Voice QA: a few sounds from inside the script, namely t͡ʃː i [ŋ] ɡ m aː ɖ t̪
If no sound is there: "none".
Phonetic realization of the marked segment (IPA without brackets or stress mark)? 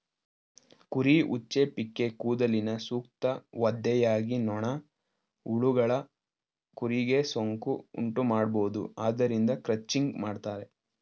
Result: ŋ